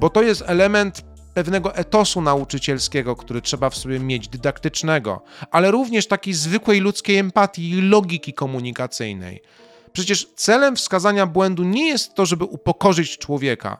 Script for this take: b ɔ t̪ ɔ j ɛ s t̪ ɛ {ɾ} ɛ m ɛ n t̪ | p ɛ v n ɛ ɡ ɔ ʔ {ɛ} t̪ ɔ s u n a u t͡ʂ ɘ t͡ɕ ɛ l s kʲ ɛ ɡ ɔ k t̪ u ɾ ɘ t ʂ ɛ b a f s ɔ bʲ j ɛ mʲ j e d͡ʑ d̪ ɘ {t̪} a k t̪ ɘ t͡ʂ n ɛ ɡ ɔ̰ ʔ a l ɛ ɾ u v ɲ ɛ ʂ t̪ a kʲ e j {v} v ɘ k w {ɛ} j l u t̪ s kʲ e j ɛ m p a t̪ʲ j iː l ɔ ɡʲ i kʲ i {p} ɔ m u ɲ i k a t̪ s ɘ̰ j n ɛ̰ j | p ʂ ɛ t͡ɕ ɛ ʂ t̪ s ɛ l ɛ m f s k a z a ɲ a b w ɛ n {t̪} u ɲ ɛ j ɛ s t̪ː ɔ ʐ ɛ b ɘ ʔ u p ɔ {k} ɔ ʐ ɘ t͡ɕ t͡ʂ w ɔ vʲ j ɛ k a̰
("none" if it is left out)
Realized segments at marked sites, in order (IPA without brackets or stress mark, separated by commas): l, ɛ, d̪, z, ɛ, k, d̪, k